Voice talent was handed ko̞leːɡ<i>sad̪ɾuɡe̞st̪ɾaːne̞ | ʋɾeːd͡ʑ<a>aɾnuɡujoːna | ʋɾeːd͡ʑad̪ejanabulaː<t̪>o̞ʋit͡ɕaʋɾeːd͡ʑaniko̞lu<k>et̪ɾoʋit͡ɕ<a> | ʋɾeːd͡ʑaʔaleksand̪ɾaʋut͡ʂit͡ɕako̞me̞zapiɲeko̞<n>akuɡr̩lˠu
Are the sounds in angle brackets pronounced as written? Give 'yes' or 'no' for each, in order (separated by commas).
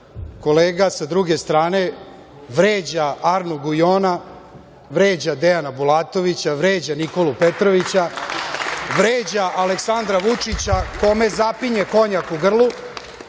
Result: no, yes, yes, no, yes, no